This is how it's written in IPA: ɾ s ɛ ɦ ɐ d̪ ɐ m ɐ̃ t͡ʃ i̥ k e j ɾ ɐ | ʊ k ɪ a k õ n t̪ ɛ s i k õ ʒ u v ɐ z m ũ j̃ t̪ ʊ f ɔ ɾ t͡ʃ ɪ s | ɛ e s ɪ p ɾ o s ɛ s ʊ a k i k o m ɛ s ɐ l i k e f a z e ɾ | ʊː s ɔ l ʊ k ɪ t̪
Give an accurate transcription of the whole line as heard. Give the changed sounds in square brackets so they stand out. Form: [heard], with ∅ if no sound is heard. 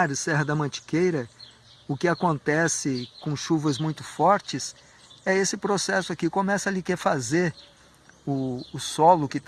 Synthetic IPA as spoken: ɾ s ɛ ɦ ɐ d̪ ɐ m ɐ̃ t͡ʃ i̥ k e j ɾ ɐ | ʊ k ɪ a k õ n t̪ ɛ s [ɪ] k õ [ʃ] u v ɐ z m ũ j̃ t̪ ʊ f ɔ ɾ t͡ʃ ɪ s | ɛ e s ɪ p ɾ o s ɛ s ʊ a k i k o m ɛ s ɐ l i k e f a z e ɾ | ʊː s ɔ l ʊ k ɪ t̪